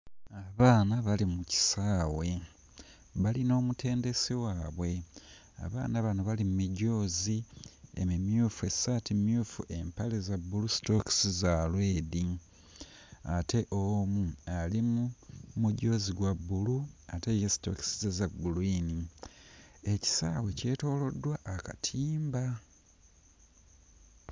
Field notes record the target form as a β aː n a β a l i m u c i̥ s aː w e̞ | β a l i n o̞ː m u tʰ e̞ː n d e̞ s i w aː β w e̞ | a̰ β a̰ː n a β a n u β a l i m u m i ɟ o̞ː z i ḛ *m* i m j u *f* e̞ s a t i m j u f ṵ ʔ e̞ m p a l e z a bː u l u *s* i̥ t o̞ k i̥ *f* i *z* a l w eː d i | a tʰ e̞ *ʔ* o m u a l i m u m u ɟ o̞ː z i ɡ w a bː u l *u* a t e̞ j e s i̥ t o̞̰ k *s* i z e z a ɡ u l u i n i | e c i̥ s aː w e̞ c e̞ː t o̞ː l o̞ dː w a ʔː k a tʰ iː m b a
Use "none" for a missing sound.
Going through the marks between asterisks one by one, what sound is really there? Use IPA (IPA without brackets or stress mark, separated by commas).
m, f, s, s, z, ʔ, u, s